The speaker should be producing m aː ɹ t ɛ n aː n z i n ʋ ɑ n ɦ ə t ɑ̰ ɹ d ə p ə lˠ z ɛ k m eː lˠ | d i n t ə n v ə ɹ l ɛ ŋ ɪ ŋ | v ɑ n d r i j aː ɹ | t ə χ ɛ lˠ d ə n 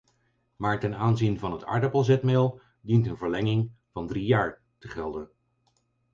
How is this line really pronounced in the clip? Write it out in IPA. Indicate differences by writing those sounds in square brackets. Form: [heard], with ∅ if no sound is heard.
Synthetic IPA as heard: m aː ɹ t ɛ n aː n z i n [v] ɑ n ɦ ə t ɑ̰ ɹ d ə p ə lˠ z ɛ [t] m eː lˠ | d i n t ə n v ə ɹ l ɛ ŋ ɪ ŋ | v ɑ n d r i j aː ɹ | t ə χ ɛ lˠ d ə n

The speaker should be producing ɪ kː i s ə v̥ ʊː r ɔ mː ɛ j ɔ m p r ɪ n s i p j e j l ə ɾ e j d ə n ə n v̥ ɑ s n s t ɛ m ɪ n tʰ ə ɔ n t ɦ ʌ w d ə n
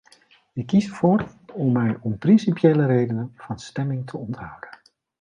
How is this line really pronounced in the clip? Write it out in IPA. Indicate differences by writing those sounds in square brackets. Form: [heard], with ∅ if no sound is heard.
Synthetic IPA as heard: ɪ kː i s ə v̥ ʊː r ɔ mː ɛ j ɔ m p r ɪ n s i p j e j l ə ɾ e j d ə n ə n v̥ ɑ [∅] n s t ɛ m ɪ [ŋ] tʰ ə ɔ n t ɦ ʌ w d ə n

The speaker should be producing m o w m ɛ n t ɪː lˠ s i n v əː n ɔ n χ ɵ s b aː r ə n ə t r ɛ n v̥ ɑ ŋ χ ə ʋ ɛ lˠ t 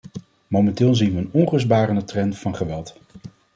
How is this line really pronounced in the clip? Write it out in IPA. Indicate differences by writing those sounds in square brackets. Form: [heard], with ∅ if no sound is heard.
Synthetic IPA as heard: m o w m ɛ n t ɪː lˠ [z] i n [ʋ] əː n ɔ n χ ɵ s b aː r ə n ə t r ɛ n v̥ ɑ [n] χ ə ʋ ɛ lˠ t

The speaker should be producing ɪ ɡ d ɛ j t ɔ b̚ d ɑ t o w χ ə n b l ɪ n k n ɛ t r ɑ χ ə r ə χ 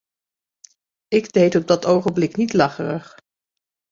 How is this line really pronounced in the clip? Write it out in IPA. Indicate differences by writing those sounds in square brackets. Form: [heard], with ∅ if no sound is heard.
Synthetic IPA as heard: ɪ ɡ d [e] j t ɔ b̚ d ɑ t o w χ ə n b l ɪ [∅] k n [i] t [l] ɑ χ ə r ə χ

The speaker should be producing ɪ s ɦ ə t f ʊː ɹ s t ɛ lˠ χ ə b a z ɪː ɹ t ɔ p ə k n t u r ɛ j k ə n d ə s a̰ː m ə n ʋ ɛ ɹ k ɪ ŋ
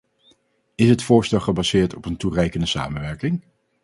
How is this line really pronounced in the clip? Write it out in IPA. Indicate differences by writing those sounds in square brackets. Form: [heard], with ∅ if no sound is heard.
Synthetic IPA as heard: ɪ s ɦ ə t f ʊː ɹ s t ɛ lˠ χ ə b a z ɪː ɹ t ɔ p ə [∅] n t u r ɛ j k ə n d ə s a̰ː m ə n ʋ ɛ ɹ k ɪ ŋ

